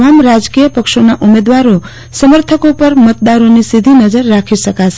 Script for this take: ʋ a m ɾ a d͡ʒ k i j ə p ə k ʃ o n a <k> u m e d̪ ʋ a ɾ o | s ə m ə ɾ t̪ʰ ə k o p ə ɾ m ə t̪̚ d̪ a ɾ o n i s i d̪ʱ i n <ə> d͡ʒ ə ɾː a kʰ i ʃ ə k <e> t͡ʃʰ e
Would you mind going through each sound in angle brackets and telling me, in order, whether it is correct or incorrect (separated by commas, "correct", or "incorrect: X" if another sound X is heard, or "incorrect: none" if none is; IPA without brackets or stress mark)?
incorrect: ʔ, correct, incorrect: a